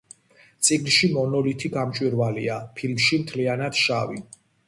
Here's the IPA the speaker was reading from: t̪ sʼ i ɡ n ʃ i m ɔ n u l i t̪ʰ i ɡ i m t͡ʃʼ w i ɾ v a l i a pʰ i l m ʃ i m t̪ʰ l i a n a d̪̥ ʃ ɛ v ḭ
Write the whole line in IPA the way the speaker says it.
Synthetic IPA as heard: t̪ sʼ i ɡ n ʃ i m ɔ n ɔ l i t̪ʰ i ɡ a m t͡ʃʼ w i ɾ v a l i a pʰ i l m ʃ i m t̪ʰ l i a n a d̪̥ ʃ a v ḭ